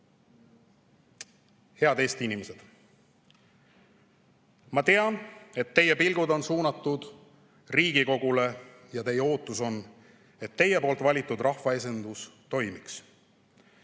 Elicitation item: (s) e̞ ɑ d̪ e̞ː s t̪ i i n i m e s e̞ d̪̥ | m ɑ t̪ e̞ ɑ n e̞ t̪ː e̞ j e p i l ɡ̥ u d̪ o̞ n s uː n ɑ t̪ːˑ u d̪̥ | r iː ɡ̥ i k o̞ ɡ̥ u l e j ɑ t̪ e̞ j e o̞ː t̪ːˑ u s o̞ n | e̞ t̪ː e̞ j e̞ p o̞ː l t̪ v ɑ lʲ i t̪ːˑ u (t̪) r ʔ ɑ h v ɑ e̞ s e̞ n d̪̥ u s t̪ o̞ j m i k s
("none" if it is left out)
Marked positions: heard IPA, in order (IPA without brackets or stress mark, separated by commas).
h, d̪